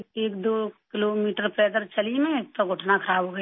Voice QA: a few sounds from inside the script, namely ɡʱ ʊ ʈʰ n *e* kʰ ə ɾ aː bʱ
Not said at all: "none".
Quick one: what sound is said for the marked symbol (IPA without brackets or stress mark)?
a